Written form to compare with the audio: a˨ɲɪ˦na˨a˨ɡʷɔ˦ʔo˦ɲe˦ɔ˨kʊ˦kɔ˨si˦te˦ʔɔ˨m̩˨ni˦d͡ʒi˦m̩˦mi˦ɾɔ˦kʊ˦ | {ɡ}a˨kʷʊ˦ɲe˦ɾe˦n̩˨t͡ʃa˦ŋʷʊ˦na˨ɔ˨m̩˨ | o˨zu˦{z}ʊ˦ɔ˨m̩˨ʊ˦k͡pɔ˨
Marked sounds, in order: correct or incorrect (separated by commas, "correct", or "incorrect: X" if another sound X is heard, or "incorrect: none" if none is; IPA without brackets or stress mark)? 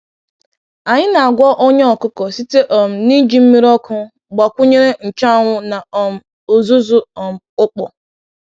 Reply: incorrect: ɡ͡b, correct